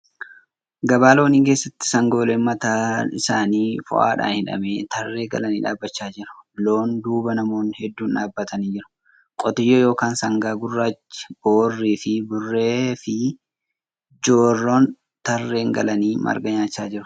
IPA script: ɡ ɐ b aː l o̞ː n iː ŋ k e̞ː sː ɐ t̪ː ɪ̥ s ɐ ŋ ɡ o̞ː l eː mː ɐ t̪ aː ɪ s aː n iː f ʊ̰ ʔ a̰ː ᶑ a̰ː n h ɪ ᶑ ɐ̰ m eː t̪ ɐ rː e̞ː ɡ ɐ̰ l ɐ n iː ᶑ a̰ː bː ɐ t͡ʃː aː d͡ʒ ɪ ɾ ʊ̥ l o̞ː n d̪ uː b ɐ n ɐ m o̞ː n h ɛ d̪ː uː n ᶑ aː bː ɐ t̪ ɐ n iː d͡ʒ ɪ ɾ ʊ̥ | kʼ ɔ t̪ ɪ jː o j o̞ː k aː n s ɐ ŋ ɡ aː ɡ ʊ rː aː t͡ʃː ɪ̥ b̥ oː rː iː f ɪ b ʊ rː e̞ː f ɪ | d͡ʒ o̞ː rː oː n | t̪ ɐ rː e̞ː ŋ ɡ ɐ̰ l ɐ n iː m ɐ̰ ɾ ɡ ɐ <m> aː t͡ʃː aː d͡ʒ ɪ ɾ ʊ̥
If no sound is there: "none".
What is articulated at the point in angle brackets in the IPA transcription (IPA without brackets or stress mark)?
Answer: ɲ